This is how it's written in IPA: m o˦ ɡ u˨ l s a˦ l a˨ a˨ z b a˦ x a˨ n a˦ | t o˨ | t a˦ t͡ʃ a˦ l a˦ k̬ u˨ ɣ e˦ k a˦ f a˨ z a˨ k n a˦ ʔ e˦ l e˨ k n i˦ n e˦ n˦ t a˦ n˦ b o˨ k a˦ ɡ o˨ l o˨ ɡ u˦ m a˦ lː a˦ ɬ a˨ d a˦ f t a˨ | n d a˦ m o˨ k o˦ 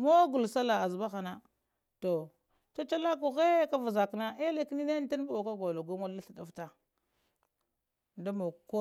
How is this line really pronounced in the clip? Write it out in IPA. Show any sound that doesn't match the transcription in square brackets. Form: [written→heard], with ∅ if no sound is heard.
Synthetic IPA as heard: m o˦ ɡ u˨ l s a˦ l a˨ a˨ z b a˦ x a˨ n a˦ | t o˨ | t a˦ t͡ʃ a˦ l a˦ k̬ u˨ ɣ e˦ k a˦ [f→v] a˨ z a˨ k n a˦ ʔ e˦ l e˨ k n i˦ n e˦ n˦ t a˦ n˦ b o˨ k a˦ ɡ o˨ l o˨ ɡ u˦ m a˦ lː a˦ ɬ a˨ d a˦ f t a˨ | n d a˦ m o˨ k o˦

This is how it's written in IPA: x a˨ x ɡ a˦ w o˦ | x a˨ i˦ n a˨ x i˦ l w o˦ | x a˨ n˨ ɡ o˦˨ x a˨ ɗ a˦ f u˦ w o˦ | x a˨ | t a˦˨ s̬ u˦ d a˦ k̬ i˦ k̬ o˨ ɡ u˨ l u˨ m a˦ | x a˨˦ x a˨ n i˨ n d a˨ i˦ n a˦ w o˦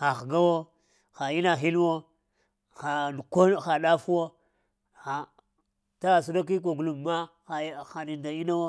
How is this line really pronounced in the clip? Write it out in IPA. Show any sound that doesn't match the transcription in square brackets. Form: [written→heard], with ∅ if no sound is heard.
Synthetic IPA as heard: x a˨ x ɡ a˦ w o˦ | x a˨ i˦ n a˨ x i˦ l w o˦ | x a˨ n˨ [ɡ→k] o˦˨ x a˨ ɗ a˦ f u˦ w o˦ | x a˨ | t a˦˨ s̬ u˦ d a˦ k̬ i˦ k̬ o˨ ɡ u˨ l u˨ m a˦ | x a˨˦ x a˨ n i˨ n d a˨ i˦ n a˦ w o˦

